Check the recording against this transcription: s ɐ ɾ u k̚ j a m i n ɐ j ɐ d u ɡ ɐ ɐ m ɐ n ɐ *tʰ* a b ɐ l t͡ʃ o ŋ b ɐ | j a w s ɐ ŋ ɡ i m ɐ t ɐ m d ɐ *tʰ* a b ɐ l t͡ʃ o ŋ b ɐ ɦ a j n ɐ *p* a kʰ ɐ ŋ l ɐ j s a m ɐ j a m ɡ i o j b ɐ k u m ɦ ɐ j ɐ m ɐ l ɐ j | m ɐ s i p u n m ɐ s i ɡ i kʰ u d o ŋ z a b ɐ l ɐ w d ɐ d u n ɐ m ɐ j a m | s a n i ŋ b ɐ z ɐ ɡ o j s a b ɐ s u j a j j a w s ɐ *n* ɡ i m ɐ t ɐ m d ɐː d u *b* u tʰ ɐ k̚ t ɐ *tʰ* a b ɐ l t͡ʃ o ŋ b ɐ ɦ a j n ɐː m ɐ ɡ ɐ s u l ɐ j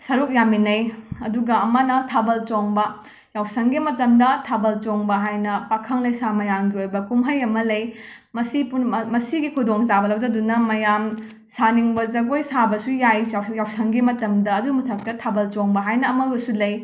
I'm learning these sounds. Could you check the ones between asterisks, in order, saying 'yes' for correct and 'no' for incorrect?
yes, yes, yes, no, no, yes

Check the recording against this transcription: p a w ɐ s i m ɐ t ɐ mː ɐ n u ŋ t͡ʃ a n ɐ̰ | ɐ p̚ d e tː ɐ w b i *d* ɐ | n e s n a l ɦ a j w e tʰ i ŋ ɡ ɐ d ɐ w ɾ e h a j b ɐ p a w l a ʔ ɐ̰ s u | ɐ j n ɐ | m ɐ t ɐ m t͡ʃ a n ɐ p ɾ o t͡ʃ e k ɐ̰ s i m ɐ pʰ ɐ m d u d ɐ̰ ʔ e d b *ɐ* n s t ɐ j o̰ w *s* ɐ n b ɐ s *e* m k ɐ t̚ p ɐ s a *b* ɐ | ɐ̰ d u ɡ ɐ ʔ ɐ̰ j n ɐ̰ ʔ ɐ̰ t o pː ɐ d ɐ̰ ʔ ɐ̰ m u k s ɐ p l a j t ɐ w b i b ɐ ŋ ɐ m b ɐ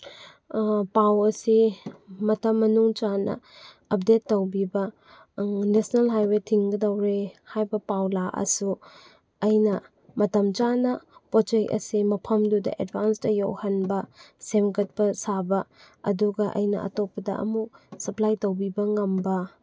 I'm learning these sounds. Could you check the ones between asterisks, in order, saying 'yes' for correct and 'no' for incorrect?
no, no, no, yes, yes

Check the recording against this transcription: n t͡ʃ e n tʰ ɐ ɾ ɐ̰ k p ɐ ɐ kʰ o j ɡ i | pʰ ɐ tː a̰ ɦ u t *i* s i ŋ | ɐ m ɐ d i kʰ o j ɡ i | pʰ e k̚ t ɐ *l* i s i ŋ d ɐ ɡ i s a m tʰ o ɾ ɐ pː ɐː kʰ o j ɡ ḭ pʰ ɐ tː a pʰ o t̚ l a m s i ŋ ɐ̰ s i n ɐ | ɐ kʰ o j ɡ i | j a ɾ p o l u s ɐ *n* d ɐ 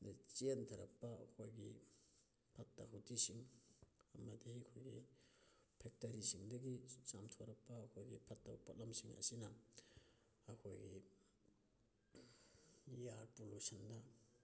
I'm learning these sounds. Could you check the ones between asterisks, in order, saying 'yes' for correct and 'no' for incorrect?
yes, no, yes

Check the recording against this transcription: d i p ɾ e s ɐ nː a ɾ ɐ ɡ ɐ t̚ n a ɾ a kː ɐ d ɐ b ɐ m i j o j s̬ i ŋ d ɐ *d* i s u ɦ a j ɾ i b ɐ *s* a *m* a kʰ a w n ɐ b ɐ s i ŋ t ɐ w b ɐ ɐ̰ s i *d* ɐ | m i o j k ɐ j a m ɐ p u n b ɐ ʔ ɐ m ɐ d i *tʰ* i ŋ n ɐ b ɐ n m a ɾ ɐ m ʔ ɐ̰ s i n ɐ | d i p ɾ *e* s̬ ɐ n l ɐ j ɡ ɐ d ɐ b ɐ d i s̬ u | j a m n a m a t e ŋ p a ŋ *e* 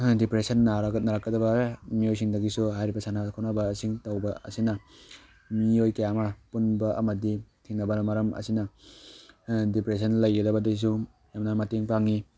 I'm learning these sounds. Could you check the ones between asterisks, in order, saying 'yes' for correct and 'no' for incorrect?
no, yes, no, no, yes, yes, no

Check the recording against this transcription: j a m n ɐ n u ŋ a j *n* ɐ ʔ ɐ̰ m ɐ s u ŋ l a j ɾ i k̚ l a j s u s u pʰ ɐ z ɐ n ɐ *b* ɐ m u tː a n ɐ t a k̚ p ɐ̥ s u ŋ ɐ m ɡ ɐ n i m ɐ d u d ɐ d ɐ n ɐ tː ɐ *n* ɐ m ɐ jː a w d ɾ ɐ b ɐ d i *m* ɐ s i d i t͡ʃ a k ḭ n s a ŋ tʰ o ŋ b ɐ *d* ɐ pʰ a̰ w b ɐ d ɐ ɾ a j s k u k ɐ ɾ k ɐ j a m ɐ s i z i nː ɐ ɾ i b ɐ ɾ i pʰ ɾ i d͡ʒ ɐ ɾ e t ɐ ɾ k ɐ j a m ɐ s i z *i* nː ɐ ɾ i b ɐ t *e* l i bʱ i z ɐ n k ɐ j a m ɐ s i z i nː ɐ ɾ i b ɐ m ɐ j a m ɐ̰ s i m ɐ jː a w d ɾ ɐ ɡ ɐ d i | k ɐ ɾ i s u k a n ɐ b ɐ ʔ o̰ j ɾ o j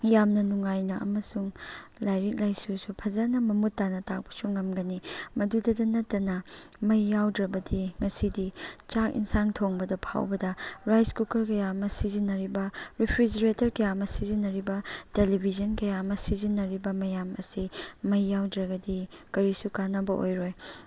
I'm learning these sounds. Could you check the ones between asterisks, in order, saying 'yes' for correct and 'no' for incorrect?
yes, no, yes, no, yes, yes, yes

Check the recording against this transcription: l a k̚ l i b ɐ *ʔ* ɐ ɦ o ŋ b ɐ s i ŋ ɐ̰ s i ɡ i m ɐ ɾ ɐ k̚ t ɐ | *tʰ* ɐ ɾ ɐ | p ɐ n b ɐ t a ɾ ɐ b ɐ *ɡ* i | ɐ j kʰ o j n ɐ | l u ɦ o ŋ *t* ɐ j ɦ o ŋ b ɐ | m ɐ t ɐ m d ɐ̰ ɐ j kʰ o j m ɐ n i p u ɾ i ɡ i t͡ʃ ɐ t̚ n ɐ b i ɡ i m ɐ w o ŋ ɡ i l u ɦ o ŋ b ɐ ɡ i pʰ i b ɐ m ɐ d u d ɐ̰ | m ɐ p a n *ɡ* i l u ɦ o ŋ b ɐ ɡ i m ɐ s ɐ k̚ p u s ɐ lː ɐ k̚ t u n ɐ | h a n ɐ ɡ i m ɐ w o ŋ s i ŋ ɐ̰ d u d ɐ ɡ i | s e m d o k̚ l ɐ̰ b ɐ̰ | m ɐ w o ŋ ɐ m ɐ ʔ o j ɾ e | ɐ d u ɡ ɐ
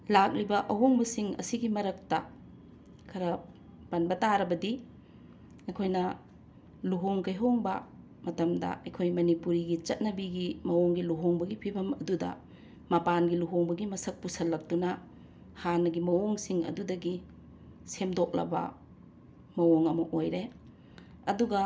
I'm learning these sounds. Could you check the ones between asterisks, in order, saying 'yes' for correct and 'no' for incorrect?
yes, no, no, no, yes

